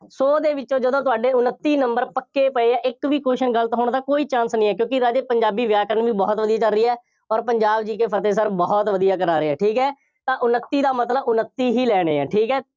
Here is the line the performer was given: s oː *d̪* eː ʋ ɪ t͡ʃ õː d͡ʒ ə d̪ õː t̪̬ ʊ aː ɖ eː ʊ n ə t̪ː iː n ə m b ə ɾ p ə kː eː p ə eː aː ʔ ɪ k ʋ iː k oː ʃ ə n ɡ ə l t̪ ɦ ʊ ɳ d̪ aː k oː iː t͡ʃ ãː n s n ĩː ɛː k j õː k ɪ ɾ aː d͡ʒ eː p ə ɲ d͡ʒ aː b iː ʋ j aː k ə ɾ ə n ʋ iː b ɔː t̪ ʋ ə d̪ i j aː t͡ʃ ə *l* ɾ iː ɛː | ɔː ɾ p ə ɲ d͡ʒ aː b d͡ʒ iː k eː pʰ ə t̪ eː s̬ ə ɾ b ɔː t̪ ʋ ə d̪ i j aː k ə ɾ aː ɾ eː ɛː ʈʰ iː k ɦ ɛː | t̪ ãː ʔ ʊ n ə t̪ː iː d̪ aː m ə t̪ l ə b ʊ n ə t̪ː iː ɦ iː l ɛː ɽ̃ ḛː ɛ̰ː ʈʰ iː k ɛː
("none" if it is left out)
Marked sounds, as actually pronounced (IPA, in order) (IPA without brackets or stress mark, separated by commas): d̪, l